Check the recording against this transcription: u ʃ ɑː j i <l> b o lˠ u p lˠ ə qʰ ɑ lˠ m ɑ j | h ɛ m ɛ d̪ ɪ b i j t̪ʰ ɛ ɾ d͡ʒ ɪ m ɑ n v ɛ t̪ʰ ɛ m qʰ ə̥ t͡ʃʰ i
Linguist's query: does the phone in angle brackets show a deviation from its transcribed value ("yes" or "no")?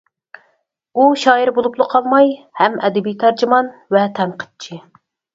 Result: yes